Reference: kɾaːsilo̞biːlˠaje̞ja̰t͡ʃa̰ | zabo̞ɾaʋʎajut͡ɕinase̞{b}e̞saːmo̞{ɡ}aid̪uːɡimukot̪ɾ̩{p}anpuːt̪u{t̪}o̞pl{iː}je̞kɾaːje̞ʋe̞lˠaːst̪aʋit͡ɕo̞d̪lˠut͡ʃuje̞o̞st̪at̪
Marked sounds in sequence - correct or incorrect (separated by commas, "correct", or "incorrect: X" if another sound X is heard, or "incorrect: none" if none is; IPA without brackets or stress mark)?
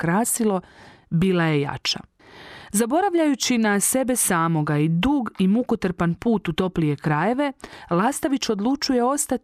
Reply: correct, correct, correct, correct, incorrect: i